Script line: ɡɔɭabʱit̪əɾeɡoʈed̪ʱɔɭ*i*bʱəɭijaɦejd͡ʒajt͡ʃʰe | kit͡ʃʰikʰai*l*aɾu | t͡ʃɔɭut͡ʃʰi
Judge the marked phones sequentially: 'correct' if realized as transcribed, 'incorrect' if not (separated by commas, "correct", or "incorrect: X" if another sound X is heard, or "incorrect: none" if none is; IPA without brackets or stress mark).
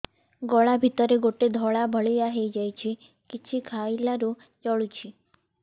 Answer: incorrect: a, correct